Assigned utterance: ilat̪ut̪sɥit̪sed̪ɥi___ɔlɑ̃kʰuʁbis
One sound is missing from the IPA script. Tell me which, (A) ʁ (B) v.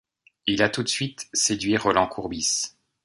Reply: A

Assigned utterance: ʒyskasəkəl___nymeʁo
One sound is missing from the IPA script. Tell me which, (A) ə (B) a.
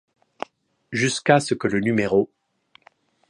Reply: A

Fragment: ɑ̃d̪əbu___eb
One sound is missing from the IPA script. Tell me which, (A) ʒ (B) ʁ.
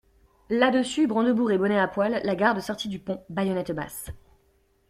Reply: B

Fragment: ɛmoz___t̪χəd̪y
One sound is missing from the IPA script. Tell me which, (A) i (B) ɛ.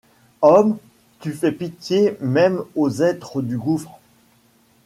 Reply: B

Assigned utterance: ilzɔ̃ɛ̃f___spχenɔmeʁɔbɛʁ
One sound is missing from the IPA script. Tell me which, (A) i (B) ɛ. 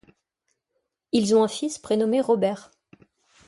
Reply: A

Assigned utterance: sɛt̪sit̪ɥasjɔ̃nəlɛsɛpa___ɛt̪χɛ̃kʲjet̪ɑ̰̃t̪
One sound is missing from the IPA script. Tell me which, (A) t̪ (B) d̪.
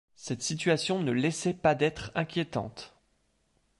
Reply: B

